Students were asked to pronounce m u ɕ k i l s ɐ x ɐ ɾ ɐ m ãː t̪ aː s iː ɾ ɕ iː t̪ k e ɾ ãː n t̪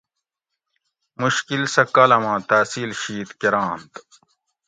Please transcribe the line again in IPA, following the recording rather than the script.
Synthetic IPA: m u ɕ k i l s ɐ k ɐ l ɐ m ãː t̪ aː s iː l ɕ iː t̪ k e ɾ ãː n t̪